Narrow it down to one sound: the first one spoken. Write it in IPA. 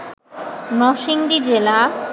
n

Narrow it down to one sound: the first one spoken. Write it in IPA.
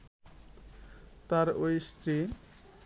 t̪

